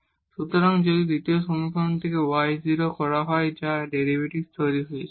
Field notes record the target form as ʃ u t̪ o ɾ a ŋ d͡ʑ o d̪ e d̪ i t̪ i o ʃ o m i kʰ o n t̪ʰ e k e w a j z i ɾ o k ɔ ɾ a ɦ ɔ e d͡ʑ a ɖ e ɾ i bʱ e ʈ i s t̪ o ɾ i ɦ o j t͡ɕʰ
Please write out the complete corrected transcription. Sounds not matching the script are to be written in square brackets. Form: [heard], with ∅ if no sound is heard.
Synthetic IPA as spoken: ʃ u t̪ o ɾ a ŋ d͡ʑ o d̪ [i] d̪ i t̪ i o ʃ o m i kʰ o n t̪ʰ e k e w a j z i ɾ o k ɔ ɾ a ɦ ɔ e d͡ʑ a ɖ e ɾ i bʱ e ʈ i s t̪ o ɾ i ɦ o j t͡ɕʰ

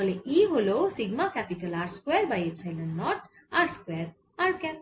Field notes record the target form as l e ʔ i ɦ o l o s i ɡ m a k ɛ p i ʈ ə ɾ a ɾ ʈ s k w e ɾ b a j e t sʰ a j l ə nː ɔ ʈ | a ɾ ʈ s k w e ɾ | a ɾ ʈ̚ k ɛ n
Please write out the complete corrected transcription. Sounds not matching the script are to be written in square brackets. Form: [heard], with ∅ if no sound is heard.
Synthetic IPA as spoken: l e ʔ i ɦ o l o s i ɡ m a k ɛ p i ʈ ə [l] a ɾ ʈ s k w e ɾ b a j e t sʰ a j l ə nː ɔ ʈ | a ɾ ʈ s k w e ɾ | a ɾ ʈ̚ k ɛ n

